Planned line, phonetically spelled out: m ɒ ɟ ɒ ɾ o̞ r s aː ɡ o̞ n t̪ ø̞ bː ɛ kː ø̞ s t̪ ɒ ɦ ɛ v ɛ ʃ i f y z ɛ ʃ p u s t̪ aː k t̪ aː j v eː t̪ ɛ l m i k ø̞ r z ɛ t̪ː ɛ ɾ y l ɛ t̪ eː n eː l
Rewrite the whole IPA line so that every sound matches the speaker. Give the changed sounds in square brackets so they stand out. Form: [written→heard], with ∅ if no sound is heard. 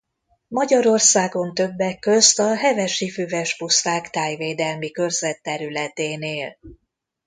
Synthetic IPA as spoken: m ɒ ɟ ɒ ɾ o̞ r s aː ɡ o̞ n t̪ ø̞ bː ɛ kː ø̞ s t̪ ɒ ɦ ɛ v ɛ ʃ i f y [z→v] ɛ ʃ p u s t̪ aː k t̪ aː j v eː [t̪→d̪] ɛ l m i k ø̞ r z ɛ t̪ː ɛ ɾ y l ɛ t̪ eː n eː l